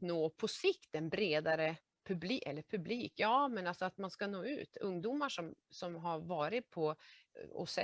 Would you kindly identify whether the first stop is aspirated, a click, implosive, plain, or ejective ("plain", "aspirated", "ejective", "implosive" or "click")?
aspirated